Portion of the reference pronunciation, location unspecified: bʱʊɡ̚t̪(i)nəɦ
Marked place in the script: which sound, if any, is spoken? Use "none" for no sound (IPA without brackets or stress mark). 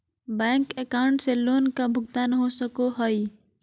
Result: a